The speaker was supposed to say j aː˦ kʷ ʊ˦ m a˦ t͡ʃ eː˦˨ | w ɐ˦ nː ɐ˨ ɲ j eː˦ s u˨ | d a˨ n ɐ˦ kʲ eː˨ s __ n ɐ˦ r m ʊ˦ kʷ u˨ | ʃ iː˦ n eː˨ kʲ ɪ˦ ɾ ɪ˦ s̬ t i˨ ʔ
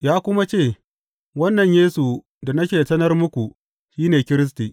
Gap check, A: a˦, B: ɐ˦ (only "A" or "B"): B